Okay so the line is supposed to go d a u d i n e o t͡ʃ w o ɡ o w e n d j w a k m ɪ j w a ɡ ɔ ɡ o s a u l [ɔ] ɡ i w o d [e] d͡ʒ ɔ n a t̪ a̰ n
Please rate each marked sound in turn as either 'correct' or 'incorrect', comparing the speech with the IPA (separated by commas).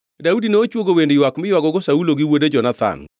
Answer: incorrect, correct